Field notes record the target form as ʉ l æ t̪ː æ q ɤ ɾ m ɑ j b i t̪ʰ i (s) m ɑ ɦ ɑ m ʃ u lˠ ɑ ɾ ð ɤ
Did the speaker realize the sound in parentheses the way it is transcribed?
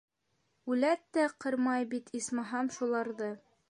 yes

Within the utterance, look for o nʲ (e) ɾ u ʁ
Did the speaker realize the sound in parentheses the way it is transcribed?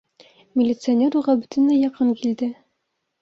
yes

